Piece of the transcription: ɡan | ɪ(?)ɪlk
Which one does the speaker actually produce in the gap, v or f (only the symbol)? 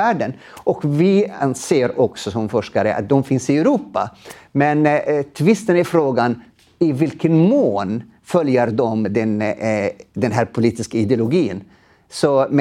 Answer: v